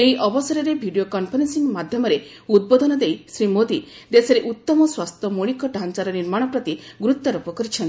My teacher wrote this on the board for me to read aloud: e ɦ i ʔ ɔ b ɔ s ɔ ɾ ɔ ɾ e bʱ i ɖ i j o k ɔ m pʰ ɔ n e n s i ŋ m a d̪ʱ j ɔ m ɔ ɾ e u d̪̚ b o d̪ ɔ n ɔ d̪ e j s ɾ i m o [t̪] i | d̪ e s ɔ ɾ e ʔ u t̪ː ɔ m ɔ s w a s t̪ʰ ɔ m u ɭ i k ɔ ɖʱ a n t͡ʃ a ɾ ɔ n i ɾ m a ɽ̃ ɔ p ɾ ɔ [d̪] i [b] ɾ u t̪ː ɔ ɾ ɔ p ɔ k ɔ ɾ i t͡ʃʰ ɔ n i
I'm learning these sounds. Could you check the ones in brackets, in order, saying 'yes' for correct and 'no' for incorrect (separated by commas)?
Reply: no, no, no